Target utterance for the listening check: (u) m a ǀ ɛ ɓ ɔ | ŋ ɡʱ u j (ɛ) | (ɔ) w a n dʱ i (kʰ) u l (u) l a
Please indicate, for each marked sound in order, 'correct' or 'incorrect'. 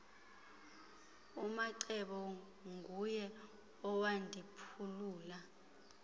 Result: correct, correct, correct, incorrect: pʰ, incorrect: uː

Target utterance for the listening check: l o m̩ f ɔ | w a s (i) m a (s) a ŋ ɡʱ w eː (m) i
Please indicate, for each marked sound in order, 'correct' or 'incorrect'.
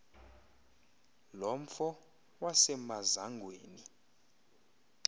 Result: incorrect: ɛ, incorrect: z, incorrect: n

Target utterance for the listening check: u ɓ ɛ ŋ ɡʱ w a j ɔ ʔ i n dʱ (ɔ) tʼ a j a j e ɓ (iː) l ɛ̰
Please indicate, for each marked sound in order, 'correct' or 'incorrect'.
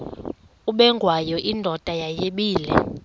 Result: correct, correct

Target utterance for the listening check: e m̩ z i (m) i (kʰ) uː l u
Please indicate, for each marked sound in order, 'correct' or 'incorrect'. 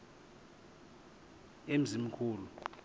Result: correct, correct

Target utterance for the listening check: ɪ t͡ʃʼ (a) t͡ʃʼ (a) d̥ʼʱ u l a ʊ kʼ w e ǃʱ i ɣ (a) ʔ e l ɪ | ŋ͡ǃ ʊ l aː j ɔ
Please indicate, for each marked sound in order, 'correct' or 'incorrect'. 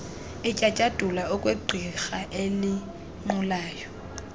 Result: correct, correct, correct

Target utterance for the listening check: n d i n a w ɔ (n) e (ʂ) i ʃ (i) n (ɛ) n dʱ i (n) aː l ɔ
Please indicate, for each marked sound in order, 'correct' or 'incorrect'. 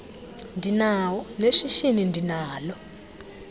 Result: correct, correct, correct, incorrect: i, correct

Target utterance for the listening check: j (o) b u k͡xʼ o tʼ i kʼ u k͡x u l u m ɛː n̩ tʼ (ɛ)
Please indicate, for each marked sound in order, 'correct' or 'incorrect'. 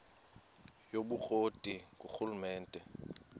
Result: correct, correct

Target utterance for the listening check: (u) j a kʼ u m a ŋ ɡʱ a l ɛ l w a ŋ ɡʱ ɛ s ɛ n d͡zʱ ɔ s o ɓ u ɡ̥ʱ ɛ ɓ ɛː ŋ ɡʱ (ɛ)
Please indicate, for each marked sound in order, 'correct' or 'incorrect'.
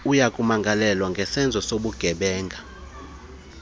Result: correct, incorrect: a

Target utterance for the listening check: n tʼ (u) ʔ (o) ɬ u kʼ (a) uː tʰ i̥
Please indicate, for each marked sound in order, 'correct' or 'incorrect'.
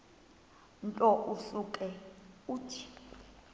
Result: incorrect: ɔ, incorrect: u, incorrect: ɛ

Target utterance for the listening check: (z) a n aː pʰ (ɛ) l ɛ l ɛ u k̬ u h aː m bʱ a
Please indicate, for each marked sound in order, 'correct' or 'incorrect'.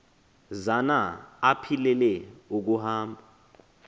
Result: correct, incorrect: i

